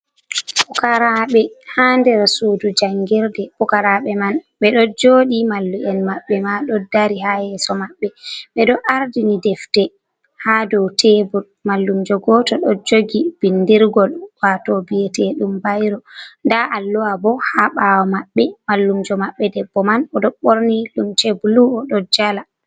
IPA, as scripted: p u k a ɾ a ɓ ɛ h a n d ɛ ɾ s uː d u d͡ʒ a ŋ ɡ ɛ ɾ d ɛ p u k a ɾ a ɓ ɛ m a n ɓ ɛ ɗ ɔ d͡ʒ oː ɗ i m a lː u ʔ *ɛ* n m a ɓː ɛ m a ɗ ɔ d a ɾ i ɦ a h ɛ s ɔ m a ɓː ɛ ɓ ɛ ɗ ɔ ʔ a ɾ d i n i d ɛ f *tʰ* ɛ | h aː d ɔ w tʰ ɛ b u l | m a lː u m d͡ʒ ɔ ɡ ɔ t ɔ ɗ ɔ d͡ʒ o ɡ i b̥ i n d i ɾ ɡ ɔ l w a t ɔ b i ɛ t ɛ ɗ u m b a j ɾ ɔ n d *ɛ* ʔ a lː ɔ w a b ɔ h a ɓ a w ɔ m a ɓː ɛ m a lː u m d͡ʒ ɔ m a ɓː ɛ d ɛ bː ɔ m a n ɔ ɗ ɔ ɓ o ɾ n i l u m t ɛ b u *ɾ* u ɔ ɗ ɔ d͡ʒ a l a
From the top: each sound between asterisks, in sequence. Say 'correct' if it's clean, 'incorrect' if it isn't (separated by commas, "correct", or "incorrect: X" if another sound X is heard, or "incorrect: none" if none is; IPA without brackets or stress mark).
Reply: correct, incorrect: t, incorrect: a, incorrect: l